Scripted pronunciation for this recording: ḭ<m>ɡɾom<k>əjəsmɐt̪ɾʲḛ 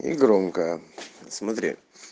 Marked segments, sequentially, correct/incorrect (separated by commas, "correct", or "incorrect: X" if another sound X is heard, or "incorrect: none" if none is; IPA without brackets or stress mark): incorrect: none, correct